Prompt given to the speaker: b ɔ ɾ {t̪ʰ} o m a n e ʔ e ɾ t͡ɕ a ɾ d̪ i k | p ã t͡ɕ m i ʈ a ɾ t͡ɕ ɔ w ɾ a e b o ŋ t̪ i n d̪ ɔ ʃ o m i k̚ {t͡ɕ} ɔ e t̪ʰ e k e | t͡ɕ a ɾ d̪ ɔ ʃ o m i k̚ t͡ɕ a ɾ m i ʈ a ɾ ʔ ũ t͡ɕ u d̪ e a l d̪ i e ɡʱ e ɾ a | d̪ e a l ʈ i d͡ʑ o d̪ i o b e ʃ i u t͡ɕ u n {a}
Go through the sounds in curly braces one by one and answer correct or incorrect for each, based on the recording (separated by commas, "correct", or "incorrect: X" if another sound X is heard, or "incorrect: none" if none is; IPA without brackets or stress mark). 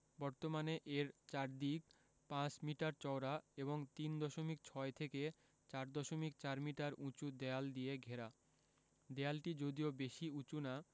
incorrect: t̪, incorrect: t͡ɕʰ, correct